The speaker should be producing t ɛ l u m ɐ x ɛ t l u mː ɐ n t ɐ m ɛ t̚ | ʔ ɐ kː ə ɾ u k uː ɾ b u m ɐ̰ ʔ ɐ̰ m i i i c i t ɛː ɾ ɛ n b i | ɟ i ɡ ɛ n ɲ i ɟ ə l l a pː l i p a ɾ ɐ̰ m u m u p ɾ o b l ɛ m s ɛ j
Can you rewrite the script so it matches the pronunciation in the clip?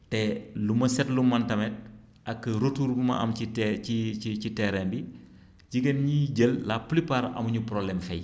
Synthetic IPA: t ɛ l u m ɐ s ɛ t l u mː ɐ n t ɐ m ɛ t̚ | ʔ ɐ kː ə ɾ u t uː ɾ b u m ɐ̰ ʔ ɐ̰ m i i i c i t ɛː ɾ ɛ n b i | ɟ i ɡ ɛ n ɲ i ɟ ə l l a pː l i p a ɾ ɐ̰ m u ɲ u p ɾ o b l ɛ m f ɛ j